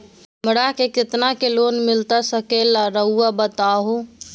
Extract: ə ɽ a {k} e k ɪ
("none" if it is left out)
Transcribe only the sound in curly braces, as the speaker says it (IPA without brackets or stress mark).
k